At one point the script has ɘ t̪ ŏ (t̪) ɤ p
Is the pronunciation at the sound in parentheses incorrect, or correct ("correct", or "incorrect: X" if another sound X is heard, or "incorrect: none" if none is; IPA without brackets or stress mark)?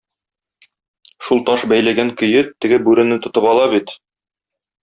correct